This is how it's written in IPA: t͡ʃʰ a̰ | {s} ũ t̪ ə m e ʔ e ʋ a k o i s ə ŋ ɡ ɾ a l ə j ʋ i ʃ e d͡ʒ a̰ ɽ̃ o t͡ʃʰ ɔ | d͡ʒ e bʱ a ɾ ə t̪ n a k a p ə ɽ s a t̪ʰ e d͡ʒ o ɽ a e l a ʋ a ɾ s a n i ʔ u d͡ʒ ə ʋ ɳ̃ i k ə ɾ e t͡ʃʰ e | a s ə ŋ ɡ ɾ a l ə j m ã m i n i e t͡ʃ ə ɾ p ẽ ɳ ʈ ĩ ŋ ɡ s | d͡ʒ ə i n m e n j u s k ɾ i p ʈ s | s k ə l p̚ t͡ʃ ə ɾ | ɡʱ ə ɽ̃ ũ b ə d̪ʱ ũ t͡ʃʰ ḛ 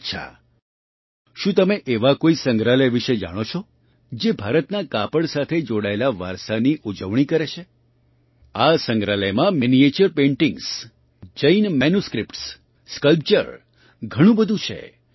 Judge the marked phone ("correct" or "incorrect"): incorrect